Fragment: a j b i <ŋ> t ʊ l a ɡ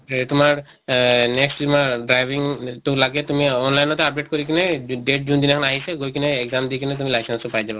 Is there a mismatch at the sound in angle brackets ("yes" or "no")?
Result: no